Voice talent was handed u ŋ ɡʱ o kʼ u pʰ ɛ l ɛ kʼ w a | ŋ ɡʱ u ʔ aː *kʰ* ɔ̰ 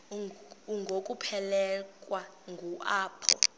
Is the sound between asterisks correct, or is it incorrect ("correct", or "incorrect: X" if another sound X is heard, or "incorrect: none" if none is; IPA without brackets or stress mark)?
incorrect: pʰ